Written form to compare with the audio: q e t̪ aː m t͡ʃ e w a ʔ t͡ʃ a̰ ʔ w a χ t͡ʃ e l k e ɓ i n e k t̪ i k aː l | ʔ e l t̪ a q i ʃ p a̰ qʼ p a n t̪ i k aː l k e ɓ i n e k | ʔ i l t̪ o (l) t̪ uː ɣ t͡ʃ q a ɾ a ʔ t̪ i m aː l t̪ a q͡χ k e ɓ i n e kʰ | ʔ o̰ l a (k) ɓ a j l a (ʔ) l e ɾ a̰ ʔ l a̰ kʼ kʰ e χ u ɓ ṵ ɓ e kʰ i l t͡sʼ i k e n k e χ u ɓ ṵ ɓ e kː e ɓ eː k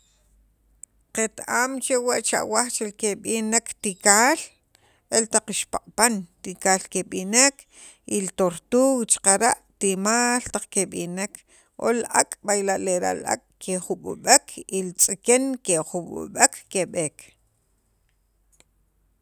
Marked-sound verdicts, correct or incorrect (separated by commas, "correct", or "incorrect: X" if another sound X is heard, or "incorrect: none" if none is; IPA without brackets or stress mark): incorrect: ɾ, incorrect: kʼ, correct